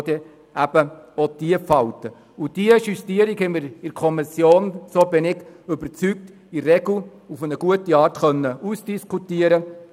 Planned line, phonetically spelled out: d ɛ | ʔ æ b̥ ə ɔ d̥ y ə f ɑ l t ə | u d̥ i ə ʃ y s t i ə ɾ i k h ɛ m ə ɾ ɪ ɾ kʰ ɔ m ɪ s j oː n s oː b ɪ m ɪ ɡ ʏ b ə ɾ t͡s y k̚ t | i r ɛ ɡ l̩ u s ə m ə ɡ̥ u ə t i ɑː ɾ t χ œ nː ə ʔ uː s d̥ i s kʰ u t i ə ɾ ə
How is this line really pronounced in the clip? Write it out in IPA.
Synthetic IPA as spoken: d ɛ | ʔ æ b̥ ə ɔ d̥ i ə f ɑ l t ə | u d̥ i ə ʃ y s t i ə ɾ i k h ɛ m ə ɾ ɪ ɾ kʰ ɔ m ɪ s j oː n s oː b ɪ n ɪ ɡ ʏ b ə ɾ t͡s y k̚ t | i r ɛ ɡ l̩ u f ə n ə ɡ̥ u ə t i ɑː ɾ t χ œ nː ə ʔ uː s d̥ i s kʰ u t i ə ɾ ə